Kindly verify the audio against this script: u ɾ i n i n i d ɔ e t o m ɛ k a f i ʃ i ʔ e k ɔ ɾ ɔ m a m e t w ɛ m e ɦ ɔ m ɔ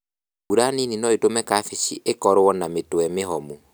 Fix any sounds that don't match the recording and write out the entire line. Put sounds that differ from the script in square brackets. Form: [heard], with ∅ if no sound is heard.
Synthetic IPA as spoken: u ɾ [a] n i n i [n] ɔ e t o m ɛ k a f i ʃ i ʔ e k ɔ ɾ ɔ [n] a m e t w ɛ m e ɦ ɔ m [u]